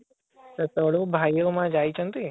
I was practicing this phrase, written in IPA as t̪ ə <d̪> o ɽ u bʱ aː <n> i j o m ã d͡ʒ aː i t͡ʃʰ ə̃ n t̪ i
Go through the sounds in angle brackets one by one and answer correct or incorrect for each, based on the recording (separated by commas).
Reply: incorrect, incorrect